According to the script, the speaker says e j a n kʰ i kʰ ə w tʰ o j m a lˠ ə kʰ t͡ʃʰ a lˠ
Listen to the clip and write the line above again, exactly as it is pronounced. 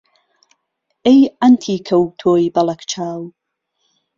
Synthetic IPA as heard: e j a n tʰ i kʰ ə w tʰ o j b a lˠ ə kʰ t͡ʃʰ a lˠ